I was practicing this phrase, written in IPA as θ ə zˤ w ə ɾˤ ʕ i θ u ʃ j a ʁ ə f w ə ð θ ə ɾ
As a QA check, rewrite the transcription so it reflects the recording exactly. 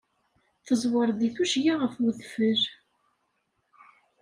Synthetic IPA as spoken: θ ə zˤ w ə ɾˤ ð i θ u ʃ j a ʁ ə f w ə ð f ə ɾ